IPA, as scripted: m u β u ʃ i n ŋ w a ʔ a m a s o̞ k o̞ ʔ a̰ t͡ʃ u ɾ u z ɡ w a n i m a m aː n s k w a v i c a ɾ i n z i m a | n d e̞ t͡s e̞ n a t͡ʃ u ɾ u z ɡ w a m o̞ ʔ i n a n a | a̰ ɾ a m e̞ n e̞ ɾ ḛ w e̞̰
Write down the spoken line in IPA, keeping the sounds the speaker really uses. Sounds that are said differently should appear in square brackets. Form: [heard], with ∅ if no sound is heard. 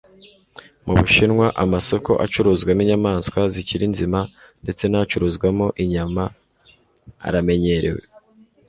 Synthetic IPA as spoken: m u β u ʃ i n ŋ w a ʔ a m a s o̞ k o̞ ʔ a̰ t͡ʃ u ɾ u z ɡ w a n i [ɲ] a m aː n s k w a [z] i c [i] ɾ i n z i m a | n d e̞ t͡s e̞ n a t͡ʃ u ɾ u z ɡ w a m o̞ ʔ i [ɲ] a [m] a | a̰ ɾ a m e̞ [ɲ] e̞ ɾ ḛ w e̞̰